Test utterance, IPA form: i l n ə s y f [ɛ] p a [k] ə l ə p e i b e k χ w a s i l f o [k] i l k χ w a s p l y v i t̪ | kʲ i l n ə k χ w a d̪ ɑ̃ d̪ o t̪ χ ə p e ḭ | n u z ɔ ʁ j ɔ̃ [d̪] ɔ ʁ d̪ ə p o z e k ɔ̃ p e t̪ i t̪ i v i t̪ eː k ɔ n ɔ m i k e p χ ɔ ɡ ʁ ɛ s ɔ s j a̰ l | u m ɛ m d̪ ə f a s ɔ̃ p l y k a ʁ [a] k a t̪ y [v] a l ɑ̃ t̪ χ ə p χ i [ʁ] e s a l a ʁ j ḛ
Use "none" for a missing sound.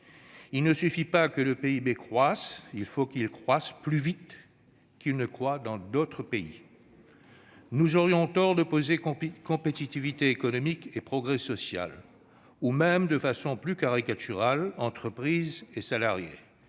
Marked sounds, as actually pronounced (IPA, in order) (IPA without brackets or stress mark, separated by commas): i, k, k, t̪, i, ʁ, z